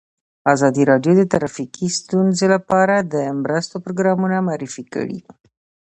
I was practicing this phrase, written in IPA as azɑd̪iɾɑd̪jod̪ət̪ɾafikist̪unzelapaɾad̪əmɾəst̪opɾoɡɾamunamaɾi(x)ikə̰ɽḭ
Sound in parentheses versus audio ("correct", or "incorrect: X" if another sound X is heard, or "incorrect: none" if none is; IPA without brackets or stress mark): incorrect: f